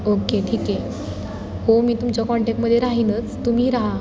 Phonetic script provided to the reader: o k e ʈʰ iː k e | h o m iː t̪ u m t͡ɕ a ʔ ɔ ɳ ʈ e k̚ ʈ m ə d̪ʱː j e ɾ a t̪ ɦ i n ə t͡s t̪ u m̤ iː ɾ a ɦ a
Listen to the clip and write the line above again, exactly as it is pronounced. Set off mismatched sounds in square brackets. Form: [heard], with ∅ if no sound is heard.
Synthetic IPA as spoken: o k e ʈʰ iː k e | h o m iː t̪ u m t͡ɕ a [k] ɔ ɳ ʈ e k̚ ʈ m ə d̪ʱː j e ɾ a [∅] ɦ i n ə t͡s t̪ u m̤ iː ɾ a ɦ a